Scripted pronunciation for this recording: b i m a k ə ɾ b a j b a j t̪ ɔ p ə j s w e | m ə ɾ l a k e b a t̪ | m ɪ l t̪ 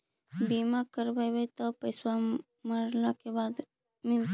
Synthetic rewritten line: b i m a k ə ɾ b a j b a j t̪ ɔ p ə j s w a | m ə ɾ l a k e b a d̪ | m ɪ l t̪